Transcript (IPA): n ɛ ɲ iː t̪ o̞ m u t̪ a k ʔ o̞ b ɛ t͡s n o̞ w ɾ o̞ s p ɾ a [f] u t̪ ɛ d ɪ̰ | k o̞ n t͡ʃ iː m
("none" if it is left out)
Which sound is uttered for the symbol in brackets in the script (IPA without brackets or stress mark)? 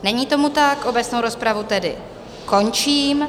v